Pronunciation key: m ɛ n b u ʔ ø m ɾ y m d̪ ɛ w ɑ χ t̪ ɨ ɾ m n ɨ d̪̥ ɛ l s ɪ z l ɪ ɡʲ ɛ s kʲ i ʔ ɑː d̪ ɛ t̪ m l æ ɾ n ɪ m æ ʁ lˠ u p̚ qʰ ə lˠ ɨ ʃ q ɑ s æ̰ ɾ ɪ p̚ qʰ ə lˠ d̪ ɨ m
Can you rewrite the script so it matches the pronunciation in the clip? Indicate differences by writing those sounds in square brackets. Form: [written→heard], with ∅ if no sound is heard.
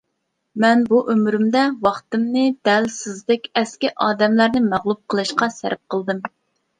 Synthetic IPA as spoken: m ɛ n b u ʔ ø m ɾ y m d̪ ɛ w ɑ χ t̪ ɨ [ɾ→∅] m n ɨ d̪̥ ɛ l s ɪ z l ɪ [ɡʲ→kʲ] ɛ s kʲ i ʔ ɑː d̪ ɛ [t̪→∅] m l æ ɾ n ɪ m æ ʁ lˠ u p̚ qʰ ə lˠ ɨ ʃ q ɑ s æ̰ ɾ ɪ p̚ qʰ ə lˠ d̪ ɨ m